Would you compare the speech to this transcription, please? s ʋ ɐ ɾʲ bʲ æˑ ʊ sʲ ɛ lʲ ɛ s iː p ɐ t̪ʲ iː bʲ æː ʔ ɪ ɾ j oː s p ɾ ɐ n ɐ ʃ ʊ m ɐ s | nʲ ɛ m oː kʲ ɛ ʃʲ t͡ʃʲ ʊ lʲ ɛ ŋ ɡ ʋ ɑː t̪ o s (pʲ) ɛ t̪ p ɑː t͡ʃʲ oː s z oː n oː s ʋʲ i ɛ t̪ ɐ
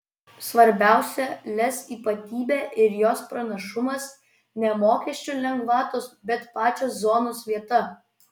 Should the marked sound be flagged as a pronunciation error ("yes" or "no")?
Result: yes